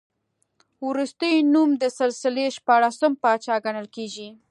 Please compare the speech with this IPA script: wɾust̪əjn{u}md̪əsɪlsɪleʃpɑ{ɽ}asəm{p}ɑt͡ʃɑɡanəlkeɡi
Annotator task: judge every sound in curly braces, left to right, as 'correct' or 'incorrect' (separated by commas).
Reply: correct, correct, correct